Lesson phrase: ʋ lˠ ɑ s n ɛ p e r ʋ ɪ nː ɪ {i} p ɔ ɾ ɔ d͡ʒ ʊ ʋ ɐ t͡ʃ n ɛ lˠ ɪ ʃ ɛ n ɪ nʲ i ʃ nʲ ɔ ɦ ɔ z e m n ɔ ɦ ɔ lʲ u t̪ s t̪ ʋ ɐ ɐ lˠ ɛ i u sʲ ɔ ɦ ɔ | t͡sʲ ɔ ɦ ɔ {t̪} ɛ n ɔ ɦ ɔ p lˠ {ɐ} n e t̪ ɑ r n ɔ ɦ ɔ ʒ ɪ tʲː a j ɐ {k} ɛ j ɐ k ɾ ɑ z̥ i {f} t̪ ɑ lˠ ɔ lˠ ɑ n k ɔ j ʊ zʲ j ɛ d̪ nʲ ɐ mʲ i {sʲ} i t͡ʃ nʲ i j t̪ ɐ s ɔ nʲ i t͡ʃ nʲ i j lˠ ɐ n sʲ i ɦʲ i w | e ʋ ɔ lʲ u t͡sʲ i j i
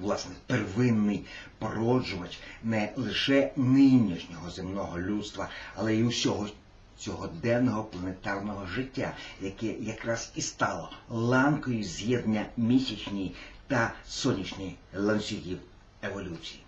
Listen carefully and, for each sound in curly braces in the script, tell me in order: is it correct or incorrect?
incorrect: j, incorrect: d̪, correct, correct, incorrect: s, correct

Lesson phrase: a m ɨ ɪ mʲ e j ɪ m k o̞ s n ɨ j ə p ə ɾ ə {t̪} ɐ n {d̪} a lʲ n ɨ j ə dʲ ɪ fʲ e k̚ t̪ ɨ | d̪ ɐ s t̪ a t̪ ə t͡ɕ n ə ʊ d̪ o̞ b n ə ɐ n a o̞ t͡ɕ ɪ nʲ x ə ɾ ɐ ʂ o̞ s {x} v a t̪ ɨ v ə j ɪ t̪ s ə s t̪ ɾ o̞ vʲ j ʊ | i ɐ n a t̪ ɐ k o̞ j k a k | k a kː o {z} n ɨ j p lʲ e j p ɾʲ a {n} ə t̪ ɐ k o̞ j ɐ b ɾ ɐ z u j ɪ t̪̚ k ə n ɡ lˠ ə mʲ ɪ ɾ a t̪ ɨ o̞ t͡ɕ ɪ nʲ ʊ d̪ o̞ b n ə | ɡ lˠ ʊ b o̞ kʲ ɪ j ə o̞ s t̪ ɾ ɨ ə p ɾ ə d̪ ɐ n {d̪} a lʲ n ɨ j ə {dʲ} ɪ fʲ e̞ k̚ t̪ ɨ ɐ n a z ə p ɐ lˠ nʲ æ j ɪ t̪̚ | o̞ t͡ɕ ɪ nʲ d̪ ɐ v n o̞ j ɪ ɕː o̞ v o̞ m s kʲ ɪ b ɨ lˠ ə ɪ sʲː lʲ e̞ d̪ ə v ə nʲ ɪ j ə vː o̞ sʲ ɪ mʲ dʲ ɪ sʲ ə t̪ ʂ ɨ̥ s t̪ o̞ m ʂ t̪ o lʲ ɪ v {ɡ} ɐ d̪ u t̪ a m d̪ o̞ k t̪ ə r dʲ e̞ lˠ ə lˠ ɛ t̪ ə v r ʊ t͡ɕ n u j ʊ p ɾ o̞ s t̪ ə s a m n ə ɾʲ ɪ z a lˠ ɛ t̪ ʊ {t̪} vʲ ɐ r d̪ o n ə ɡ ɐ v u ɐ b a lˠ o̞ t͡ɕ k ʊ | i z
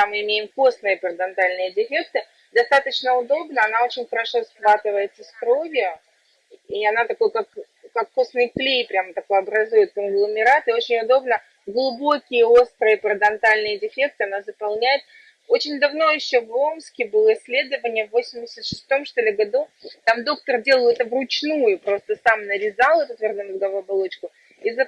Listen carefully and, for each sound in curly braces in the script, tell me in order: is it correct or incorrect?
incorrect: d̪, incorrect: t̪, correct, incorrect: s, incorrect: m, incorrect: t̪, correct, correct, correct

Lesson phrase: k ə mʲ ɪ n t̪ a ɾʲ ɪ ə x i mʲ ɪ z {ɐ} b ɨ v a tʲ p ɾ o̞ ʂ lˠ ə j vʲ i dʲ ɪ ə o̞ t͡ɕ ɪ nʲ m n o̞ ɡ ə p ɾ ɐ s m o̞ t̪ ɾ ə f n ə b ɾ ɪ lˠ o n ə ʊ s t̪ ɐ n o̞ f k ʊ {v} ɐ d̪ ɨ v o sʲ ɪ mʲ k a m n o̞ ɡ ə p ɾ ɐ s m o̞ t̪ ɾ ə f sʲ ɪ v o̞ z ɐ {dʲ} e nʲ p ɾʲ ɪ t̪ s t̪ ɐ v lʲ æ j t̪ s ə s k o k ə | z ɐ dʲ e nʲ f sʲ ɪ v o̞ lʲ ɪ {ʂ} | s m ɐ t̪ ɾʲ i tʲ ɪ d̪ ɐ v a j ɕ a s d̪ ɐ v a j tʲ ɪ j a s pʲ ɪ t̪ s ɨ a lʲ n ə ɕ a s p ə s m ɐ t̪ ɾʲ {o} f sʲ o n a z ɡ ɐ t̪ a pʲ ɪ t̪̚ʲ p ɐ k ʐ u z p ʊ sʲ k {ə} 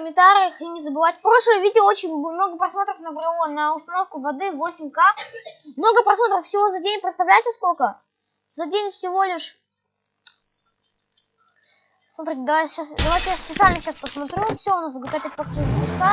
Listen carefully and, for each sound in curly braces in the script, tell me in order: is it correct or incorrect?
incorrect: ə, correct, correct, correct, incorrect: u, incorrect: a

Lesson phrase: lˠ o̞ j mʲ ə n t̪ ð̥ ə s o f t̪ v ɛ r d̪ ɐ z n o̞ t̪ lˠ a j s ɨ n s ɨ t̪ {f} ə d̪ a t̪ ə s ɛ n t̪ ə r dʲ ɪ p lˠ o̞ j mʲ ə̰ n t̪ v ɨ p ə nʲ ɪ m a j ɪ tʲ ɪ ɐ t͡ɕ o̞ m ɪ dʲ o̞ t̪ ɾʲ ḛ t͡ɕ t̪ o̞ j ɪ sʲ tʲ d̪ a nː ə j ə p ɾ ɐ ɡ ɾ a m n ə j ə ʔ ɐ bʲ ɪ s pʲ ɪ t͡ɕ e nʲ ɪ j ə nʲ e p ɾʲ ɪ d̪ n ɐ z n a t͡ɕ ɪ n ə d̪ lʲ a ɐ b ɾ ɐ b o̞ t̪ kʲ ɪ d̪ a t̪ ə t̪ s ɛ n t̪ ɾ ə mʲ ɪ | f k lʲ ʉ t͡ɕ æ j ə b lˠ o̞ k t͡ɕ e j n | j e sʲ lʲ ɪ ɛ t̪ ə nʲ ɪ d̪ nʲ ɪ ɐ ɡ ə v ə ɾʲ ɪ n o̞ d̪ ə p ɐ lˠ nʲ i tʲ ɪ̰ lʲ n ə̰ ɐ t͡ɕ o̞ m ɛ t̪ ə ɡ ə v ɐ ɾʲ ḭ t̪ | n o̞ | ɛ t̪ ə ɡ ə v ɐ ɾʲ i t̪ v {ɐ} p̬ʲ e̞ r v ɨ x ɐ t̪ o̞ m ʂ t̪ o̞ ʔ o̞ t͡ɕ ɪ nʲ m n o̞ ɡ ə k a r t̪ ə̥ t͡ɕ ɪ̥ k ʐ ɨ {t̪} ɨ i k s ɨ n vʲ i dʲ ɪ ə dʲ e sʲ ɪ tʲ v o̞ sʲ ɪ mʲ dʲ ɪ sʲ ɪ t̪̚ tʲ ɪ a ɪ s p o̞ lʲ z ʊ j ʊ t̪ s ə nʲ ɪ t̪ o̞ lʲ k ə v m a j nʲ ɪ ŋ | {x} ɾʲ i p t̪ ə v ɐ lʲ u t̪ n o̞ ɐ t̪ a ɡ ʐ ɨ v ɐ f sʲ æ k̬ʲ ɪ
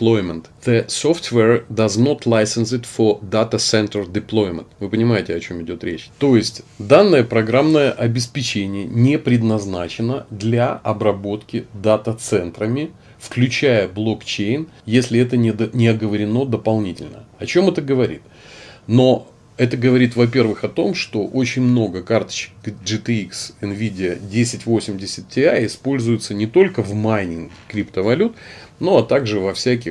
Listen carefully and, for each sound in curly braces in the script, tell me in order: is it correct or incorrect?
correct, correct, correct, incorrect: k

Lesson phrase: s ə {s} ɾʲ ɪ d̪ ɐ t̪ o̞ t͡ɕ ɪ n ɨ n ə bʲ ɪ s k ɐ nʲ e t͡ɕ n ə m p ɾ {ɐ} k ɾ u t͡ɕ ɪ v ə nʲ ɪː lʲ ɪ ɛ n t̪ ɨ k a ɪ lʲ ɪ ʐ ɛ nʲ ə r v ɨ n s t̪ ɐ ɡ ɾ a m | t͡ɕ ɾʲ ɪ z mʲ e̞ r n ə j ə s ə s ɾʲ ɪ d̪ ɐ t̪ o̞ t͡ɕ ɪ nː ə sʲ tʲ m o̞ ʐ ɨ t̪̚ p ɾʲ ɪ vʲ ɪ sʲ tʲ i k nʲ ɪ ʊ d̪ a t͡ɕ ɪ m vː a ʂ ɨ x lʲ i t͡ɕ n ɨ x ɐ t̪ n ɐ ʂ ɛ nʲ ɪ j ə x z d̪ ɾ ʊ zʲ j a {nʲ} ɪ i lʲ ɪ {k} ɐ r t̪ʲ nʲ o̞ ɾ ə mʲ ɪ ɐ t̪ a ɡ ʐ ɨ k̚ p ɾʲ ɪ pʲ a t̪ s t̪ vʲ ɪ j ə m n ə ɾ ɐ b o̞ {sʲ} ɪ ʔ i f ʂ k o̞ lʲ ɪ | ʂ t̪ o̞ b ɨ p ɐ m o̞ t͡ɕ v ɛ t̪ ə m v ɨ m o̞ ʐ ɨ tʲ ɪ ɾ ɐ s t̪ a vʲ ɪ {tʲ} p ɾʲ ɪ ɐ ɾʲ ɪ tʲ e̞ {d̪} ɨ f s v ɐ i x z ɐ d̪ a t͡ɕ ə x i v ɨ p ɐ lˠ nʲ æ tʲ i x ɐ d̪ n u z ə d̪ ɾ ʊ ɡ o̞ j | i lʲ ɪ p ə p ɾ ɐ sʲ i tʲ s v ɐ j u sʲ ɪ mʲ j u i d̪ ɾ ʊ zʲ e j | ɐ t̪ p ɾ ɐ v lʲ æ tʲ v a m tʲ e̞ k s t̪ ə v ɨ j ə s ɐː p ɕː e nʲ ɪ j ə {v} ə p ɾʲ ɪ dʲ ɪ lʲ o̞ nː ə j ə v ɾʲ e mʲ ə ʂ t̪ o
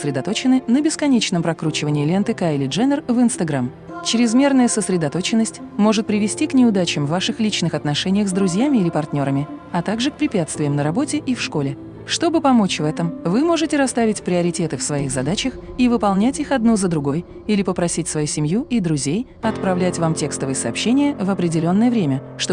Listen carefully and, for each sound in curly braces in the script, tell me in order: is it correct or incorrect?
correct, correct, incorrect: mʲ, incorrect: p, incorrect: tʲ, correct, incorrect: t̪, correct

